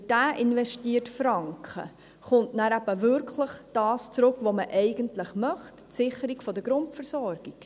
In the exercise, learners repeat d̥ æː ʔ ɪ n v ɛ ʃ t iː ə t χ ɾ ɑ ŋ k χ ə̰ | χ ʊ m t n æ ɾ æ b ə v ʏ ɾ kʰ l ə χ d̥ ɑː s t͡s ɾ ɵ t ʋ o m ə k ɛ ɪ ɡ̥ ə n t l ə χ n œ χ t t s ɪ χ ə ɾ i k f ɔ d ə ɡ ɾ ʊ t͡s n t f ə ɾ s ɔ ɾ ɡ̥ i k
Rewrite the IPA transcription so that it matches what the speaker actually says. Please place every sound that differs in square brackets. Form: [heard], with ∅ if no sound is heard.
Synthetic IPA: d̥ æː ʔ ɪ n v ɛ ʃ t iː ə t [f] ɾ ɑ ŋ k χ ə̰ | χ ʊ [n] t n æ ɾ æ b ə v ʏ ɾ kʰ l ə χ d̥ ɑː s t͡s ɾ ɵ [k] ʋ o m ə [ʔ] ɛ ɪ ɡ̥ ə n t l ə χ [m] œ χ t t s ɪ χ ə ɾ i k f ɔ d ə ɡ ɾ ʊ [∅] n t f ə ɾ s ɔ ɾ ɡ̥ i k